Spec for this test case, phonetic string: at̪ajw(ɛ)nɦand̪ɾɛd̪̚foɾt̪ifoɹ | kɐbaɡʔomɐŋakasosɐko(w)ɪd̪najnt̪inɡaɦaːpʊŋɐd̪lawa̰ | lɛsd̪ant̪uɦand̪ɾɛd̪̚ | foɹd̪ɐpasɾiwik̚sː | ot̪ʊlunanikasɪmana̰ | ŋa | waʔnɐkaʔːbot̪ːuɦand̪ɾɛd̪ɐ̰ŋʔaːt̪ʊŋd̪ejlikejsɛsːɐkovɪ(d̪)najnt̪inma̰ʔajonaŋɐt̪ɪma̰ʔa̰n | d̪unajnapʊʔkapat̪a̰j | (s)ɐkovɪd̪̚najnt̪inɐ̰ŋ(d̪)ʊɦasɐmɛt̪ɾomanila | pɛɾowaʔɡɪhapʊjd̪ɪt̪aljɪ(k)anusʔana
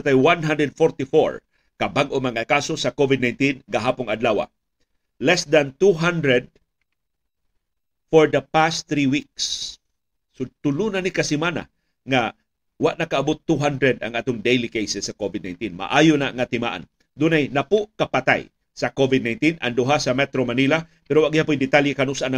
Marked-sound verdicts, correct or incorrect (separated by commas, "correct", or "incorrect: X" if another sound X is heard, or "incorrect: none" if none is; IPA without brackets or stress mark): incorrect: a, incorrect: v, correct, correct, correct, correct